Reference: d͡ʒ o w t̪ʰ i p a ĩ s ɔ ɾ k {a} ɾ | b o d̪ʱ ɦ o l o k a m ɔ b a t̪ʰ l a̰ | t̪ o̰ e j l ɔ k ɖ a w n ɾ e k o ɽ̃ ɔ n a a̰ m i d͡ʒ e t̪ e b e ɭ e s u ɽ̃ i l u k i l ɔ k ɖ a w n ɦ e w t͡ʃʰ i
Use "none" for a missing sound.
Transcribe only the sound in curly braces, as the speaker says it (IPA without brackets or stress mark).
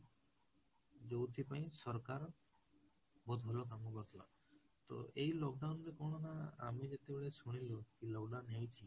a